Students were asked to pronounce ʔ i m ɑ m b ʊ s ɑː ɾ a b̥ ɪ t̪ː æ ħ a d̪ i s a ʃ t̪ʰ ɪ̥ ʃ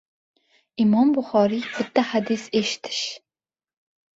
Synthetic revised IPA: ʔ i m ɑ m b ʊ χ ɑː ɾ i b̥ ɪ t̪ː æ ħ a d̪ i s e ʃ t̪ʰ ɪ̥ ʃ